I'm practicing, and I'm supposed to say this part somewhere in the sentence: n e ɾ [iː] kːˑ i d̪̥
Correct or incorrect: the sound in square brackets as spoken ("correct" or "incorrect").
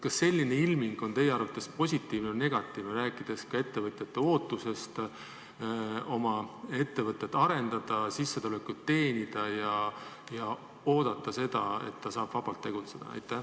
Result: incorrect